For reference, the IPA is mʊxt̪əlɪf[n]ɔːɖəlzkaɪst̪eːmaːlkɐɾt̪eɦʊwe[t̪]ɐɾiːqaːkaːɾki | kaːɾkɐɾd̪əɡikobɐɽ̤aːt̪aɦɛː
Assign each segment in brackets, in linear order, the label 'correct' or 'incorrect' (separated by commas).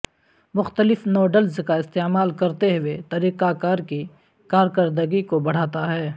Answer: correct, correct